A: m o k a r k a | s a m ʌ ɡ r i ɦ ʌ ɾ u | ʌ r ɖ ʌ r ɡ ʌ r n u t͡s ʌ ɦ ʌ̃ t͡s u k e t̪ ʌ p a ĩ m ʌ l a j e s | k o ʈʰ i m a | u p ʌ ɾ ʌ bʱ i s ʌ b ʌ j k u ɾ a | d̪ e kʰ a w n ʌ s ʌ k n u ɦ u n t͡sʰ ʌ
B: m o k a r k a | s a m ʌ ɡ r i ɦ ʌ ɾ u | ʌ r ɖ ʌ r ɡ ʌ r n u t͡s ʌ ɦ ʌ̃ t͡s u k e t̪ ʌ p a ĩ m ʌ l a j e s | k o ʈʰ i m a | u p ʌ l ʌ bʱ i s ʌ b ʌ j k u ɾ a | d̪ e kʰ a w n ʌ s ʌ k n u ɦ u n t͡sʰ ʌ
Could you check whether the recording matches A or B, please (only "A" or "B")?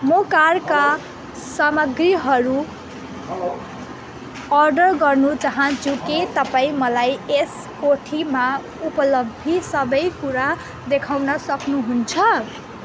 B